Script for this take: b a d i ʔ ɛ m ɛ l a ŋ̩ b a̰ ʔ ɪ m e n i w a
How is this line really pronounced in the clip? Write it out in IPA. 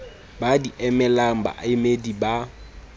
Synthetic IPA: b a d i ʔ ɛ m ɛ l a ŋ̩ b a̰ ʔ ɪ m e d i b a